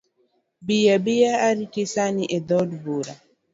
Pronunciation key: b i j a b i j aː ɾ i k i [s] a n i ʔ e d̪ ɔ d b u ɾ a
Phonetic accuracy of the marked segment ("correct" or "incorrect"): correct